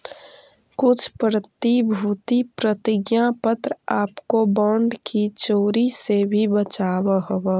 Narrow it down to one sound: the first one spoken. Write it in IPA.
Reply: k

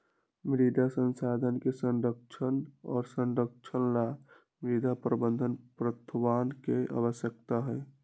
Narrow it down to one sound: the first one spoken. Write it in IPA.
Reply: m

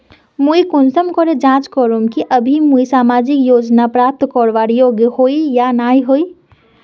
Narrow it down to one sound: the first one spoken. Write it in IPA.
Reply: m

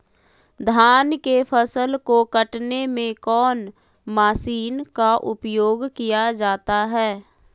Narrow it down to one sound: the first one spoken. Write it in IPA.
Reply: d̪ʱ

